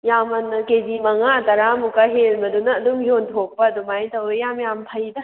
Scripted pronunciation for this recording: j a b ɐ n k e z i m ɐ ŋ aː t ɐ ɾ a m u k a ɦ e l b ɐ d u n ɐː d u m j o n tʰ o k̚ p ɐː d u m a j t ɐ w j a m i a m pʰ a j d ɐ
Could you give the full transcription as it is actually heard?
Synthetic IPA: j a m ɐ n k e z i m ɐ ŋ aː t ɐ ɾ a m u k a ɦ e l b ɐ d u n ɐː d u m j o n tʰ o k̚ p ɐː d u m a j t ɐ w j a m j a m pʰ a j d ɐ